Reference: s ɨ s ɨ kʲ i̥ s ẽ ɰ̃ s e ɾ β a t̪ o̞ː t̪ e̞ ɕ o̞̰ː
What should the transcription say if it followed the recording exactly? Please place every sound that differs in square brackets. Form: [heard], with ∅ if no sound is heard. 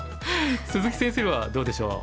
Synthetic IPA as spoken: s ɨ [z] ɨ kʲ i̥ s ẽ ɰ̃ s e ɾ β a [d̪] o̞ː [d̪] e̞ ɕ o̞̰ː